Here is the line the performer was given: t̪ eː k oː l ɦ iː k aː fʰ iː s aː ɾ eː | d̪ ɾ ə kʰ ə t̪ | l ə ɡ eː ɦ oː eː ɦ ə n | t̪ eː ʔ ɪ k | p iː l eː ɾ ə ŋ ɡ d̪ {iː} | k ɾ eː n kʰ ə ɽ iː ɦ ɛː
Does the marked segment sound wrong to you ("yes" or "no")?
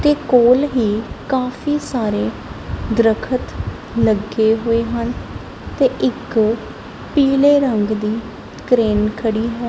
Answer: no